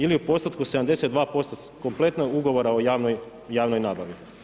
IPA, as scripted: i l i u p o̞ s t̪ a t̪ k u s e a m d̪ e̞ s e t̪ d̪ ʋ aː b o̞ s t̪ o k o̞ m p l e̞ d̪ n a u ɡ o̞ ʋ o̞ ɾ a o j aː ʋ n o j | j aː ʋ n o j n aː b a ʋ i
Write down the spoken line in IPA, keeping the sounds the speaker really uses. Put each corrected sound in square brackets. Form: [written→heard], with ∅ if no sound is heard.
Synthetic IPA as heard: i l i u p o̞ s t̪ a t̪ k u s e a m d̪ e̞ s e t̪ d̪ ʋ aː [b→p] o̞ s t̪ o k o̞ m p l e̞ [d̪→t̪] n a u ɡ o̞ ʋ o̞ ɾ a o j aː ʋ n o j | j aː ʋ n o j n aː b a ʋ i